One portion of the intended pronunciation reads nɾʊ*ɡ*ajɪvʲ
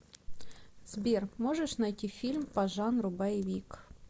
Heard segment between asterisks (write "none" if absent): b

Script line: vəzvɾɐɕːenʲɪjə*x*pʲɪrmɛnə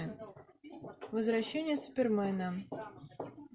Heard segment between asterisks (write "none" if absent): s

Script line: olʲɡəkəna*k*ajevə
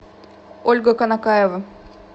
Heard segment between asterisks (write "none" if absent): k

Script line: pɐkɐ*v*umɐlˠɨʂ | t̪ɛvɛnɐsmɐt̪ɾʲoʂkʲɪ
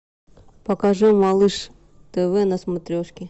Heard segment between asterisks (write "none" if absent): ʐ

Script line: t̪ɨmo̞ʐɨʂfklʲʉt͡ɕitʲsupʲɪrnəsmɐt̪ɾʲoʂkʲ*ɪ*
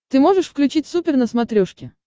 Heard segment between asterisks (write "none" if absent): ɪ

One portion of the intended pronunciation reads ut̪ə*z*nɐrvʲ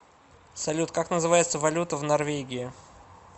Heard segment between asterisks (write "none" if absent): v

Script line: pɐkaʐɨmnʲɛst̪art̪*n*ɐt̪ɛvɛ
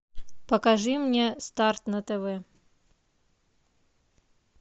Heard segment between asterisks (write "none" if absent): n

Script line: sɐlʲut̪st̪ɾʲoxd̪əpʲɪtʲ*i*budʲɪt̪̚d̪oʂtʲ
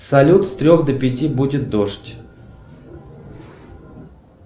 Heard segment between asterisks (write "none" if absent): i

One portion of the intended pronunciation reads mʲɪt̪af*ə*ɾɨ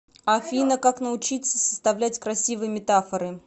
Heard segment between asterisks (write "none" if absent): ə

